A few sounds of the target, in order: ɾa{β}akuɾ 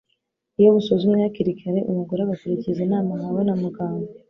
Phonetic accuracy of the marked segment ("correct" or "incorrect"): correct